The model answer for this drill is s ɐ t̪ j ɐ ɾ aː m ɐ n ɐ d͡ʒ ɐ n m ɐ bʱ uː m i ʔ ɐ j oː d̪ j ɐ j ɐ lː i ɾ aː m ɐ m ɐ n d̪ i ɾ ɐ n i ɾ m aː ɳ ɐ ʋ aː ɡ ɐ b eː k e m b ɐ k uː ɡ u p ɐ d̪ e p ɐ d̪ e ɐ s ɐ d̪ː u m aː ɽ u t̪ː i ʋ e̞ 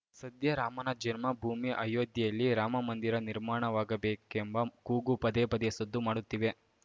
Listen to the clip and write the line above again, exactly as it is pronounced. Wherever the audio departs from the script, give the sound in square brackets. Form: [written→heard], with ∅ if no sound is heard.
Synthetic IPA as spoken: s ɐ [t̪→d̪] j ɐ ɾ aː m ɐ n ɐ d͡ʒ ɐ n m ɐ bʱ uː m i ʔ ɐ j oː d̪ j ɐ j ɐ lː i ɾ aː m ɐ m ɐ n d̪ i ɾ ɐ n i ɾ m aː ɳ ɐ ʋ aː ɡ ɐ b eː k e m b ɐ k uː ɡ u p ɐ d̪ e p ɐ d̪ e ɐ s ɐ d̪ː u m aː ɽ u t̪ː i ʋ e̞